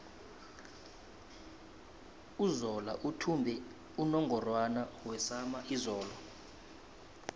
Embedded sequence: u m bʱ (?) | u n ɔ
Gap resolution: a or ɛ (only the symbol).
ɛ